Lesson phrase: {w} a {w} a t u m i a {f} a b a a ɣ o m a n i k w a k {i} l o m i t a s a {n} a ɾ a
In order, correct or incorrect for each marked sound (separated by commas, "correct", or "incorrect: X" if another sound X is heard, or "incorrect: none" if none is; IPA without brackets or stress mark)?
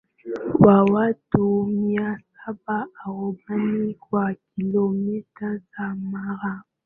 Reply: correct, correct, incorrect: s, correct, incorrect: m